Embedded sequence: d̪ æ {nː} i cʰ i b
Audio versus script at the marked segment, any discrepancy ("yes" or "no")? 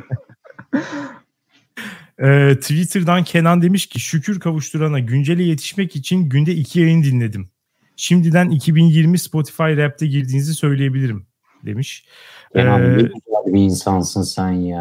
yes